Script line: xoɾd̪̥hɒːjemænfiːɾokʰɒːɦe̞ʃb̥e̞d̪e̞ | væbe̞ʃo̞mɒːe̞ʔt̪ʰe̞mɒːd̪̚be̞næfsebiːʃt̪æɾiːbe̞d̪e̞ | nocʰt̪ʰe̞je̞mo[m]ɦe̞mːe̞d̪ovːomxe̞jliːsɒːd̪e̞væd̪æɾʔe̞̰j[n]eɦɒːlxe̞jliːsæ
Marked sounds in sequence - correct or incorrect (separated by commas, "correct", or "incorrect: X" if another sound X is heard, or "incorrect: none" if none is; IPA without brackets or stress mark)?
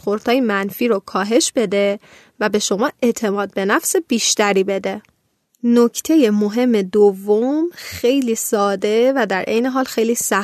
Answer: incorrect: none, correct